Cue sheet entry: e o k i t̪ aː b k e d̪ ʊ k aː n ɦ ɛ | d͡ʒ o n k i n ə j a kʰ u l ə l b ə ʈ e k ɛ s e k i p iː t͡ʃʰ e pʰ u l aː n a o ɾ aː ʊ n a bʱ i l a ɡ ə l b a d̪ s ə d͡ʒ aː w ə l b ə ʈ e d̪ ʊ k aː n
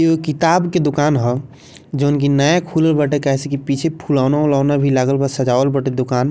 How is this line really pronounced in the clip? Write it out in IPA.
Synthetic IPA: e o k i t̪ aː b k e d̪ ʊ k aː n ɦ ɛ | d͡ʒ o n k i n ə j a kʰ u l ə l b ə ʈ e k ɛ s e k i p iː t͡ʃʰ e pʰ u l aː n a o l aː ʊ n a bʱ i l a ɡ ə l b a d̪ s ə d͡ʒ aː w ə l b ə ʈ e d̪ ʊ k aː n